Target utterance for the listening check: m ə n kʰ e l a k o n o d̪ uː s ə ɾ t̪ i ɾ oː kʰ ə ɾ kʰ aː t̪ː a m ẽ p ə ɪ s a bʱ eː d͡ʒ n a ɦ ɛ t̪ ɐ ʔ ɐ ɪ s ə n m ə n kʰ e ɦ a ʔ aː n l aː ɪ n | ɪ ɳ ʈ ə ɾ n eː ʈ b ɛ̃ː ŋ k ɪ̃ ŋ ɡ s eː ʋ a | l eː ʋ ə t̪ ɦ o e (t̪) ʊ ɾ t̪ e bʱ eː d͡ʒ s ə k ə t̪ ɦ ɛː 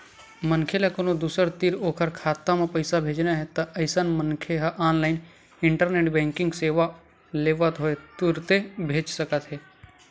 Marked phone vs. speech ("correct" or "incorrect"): correct